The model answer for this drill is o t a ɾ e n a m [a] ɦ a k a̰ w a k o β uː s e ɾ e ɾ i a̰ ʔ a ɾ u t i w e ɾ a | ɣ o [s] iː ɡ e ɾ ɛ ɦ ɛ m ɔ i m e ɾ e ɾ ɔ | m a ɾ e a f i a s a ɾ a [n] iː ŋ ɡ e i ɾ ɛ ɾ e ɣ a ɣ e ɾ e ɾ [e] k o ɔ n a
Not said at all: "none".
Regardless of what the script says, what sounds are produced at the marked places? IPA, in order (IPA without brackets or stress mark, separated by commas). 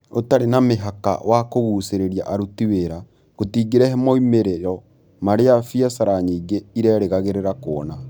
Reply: e, t, ɲ, a